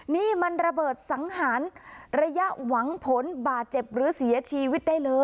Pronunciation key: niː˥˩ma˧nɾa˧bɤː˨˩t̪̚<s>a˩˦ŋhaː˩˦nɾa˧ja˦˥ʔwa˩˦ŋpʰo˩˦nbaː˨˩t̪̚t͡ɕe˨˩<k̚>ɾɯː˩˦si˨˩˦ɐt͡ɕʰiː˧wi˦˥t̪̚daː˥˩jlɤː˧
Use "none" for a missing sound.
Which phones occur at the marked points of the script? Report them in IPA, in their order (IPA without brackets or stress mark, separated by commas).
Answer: s, p̚